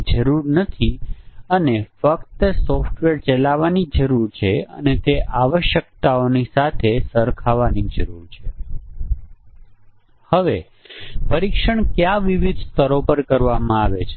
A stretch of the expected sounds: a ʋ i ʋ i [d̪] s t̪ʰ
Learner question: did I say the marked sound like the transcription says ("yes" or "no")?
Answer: yes